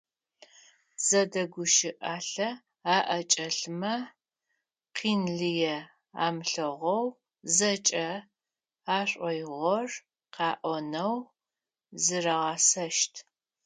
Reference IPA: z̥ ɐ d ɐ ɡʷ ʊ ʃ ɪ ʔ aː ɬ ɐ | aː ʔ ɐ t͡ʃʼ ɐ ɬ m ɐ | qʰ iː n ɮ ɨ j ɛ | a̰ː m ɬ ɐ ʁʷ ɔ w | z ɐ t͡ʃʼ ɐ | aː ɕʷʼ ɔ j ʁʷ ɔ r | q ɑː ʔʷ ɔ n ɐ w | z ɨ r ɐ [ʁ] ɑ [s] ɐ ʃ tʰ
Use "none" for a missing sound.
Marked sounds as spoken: ʁ, s

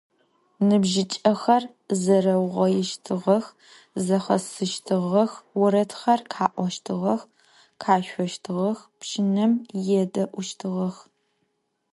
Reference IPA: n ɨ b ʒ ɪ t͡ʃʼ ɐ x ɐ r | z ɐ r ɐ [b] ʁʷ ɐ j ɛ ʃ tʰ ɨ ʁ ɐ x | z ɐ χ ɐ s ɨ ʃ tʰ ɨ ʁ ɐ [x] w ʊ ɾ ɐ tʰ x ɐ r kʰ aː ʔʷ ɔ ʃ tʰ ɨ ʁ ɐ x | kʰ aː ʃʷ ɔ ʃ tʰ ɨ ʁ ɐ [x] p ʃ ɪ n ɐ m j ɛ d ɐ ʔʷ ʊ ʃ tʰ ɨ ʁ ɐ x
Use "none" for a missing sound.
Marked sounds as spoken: w, x, x

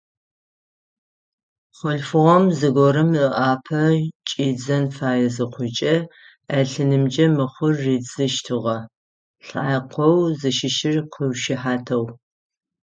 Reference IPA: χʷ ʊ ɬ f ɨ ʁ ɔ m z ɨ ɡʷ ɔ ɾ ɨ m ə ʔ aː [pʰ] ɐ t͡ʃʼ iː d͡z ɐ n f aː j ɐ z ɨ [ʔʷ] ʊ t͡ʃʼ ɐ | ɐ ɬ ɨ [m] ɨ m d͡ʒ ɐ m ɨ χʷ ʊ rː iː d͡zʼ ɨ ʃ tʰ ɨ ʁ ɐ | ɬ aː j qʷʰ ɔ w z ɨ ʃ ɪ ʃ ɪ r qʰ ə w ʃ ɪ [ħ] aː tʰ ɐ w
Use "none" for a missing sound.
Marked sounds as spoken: pʰ, qʷ, n, ħ

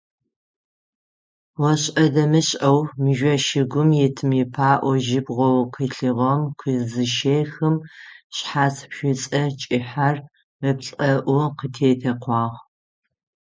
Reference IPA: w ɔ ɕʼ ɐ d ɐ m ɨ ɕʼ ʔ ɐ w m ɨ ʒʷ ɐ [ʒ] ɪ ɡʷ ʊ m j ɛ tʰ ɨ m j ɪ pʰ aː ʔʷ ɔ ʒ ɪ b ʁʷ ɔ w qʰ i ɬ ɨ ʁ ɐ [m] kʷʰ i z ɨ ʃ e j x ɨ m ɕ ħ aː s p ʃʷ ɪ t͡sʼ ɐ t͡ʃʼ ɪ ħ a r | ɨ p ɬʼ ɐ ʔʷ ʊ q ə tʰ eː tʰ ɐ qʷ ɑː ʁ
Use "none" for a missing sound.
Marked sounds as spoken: ʃ, m

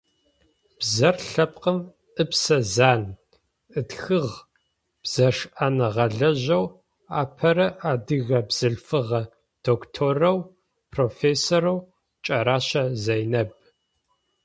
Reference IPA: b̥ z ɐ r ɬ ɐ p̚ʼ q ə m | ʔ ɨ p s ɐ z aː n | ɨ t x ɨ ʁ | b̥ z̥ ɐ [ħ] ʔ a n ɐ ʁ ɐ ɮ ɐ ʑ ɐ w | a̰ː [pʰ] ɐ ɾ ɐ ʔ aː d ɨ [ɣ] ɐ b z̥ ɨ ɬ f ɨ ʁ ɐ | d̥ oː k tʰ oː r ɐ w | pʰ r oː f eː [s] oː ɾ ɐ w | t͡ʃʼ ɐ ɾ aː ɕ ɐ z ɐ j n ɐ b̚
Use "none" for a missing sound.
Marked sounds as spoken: ʂ, pʰ, ɣ, s

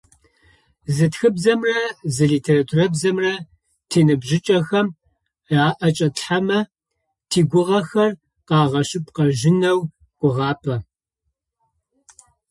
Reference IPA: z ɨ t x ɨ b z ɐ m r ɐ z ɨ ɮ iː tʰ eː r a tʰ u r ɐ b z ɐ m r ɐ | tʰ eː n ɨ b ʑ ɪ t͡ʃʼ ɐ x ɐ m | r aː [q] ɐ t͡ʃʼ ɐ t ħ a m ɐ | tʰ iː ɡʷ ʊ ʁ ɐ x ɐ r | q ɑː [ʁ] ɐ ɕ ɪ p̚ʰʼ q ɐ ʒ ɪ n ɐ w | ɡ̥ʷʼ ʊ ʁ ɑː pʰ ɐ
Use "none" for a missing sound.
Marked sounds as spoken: ʔ, ʁ

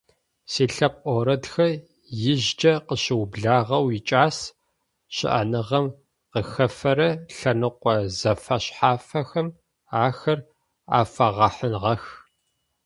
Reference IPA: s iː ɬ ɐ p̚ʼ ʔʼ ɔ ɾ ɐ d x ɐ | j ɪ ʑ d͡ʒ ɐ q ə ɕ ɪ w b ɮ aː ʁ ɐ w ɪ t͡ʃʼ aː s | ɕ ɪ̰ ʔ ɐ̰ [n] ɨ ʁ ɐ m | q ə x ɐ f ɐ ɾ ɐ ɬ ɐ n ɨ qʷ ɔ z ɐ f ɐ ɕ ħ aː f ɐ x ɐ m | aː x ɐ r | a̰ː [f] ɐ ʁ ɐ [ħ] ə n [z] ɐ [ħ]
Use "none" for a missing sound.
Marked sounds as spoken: n, f, ħ, ʁ, x

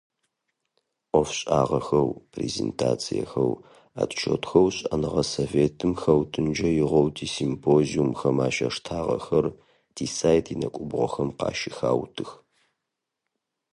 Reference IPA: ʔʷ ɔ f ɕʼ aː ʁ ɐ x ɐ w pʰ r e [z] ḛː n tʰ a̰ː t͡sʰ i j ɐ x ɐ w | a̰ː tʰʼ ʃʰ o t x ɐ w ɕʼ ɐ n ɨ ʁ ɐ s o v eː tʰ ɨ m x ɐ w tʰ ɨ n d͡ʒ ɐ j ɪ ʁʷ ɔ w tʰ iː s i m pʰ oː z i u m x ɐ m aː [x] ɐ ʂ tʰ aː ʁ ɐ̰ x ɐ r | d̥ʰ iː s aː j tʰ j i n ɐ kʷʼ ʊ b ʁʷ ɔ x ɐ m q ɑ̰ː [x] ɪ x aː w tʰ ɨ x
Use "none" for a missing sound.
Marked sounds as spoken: z, ʃ, ʃ

